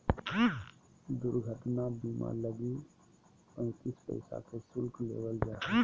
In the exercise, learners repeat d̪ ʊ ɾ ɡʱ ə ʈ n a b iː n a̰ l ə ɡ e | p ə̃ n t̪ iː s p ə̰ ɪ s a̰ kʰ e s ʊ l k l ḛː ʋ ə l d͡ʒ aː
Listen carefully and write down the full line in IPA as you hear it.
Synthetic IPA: d̪ ʊ ɾ ɡʱ ə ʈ n a b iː m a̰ l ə ɡ i | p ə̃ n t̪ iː s p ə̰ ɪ s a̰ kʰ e s ʊ l k l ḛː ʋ ə l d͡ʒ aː